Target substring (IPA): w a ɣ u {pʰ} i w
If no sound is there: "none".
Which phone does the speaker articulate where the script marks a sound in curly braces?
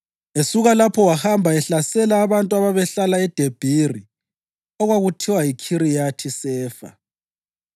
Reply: tʰ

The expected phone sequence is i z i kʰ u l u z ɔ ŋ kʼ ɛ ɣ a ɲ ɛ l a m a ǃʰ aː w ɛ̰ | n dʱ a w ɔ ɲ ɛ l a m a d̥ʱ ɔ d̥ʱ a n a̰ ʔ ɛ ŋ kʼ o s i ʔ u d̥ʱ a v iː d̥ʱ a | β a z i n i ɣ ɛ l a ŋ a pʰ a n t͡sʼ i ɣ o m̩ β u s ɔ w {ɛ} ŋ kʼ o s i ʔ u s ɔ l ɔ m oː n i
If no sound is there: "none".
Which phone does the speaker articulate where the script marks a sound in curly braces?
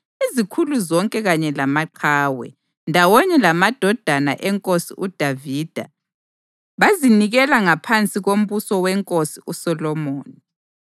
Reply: ɛ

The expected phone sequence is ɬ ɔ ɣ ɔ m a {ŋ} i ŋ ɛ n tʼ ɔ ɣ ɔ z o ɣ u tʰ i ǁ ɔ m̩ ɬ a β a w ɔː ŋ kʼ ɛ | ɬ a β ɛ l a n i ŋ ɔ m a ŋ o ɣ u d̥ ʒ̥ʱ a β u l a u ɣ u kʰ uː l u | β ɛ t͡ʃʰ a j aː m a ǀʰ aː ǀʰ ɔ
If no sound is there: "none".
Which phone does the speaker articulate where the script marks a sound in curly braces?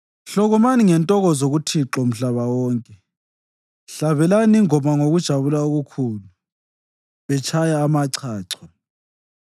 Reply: n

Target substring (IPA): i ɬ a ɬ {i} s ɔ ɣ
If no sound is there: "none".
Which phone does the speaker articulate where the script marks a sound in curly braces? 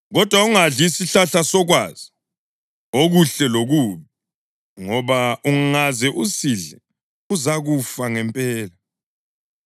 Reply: a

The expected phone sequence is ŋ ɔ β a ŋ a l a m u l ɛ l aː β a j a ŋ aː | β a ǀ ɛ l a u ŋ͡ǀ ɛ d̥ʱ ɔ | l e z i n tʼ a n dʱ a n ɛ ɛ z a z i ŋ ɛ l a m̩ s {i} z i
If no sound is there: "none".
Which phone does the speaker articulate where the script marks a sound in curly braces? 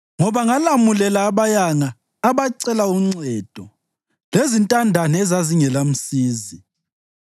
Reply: iː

